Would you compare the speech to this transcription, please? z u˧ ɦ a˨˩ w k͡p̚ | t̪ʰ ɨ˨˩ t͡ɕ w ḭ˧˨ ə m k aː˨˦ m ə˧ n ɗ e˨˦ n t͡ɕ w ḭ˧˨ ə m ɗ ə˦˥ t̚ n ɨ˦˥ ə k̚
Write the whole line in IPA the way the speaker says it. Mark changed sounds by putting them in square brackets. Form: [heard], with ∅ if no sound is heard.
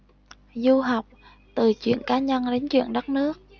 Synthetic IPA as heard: z u˧ ɦ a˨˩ w k͡p̚ | [t̪] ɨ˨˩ t͡ɕ w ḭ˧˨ ə [n] k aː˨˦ [ɲ] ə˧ n ɗ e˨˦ n t͡ɕ w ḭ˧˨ ə [n] ɗ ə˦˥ t̚ n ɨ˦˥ ə k̚